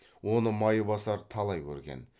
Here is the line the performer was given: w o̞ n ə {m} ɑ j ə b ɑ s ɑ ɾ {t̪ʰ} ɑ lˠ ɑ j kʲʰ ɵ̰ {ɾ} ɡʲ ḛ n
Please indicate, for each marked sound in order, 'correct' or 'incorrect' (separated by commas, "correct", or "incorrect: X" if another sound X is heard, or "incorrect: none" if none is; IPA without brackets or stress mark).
correct, correct, correct